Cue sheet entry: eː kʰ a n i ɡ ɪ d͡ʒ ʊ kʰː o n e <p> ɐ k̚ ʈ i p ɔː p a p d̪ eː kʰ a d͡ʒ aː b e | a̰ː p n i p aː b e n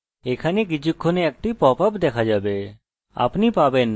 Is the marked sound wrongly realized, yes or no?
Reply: yes